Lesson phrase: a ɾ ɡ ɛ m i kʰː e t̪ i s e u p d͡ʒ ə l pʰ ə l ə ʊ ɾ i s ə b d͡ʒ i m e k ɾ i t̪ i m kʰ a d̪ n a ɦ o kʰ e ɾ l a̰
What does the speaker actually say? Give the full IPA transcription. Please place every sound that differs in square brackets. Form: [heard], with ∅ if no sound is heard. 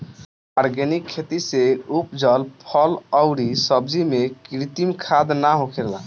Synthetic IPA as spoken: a ɾ ɡ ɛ [n] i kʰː e t̪ i s e u p d͡ʒ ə l pʰ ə l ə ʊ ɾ i s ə b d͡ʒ i m e k ɾ i t̪ i m kʰ a d̪ n a ɦ o kʰ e ɾ l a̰